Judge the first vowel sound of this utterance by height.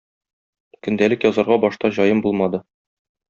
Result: mid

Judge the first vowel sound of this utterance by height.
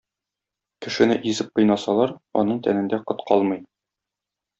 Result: mid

